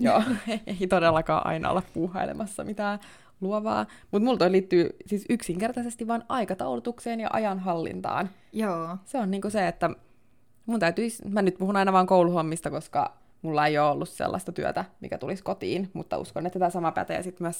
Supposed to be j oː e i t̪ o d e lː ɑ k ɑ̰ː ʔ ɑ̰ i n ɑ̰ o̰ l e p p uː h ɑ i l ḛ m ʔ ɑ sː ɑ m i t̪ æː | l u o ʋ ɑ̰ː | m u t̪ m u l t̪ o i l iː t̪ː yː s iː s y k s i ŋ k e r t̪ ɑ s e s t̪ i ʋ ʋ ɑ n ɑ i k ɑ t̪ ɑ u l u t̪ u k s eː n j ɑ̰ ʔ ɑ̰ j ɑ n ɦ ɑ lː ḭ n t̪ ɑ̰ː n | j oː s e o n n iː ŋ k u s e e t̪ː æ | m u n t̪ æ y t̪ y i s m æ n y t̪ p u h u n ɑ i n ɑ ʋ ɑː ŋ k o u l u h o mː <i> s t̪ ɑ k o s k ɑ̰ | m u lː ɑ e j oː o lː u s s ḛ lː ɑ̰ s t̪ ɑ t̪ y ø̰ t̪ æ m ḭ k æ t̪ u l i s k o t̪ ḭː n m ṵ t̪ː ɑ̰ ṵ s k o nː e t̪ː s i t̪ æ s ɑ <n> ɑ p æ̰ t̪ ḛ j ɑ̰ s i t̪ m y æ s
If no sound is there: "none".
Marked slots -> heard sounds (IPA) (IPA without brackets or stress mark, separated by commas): i, m